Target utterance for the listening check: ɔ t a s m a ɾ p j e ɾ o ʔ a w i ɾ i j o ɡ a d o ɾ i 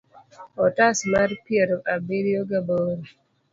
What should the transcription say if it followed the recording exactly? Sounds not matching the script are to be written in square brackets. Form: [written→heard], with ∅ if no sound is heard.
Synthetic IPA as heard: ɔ t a s m a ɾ p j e ɾ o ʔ a [w→b] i ɾ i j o ɡ a [d→b] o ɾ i